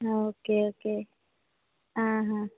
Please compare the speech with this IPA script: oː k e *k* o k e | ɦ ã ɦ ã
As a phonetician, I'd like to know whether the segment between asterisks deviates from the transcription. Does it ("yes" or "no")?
yes